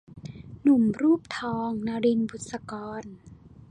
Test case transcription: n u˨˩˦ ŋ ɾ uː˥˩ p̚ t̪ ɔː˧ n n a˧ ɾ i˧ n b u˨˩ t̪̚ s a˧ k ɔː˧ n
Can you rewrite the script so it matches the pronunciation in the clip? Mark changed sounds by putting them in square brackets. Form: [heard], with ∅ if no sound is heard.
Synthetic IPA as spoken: n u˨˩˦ [m] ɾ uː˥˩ p̚ [t̪ʰ] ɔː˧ [ŋ] n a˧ ɾ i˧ n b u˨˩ t̪̚ s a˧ k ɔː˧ n